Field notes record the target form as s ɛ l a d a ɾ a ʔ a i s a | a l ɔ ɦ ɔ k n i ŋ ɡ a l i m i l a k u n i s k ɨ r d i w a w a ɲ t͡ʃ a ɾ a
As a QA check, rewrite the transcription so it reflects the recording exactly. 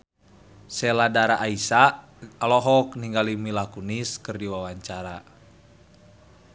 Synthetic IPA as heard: s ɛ l a d a ɾ a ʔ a i s a | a l ɔ ɦ ɔ k n i ŋ ɡ a l i m i l a k u n i s k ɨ r d i w a w a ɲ t͡ʃ a ɾ a